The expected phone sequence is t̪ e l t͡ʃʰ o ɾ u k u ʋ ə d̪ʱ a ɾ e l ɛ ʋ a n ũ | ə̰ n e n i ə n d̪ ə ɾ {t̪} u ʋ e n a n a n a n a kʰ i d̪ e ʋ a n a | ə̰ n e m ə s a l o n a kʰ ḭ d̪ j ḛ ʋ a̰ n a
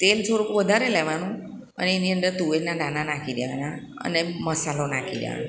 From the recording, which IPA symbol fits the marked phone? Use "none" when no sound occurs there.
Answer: t̪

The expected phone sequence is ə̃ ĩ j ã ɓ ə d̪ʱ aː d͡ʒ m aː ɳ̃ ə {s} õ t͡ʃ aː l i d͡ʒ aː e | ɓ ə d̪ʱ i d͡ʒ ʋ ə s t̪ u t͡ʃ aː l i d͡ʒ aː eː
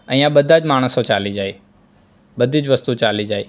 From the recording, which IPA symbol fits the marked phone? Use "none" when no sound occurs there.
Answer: s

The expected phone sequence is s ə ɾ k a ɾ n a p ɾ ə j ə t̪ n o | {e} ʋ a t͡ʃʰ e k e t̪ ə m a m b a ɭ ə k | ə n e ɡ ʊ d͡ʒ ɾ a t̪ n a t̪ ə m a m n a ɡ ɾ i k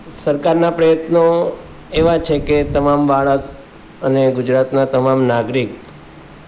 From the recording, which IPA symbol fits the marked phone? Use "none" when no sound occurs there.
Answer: e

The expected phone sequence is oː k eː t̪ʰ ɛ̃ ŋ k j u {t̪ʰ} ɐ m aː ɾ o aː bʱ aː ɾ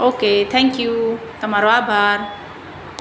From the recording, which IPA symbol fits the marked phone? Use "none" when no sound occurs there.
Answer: t̪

